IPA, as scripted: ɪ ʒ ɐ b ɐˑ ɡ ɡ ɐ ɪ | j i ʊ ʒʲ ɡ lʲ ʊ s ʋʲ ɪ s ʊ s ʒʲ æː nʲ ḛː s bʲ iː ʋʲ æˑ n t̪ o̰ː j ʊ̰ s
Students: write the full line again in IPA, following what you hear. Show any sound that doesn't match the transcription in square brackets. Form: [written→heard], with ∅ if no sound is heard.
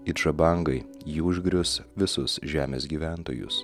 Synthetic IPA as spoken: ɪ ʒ ɐ b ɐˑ [ɡ→ŋ] ɡ ɐ ɪ | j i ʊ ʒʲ ɡ [lʲ→ɾʲ] ʊ s ʋʲ ɪ s ʊ s ʒʲ æː [nʲ→mʲ] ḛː s [bʲ→ɡʲ] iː ʋʲ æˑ n t̪ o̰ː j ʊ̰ s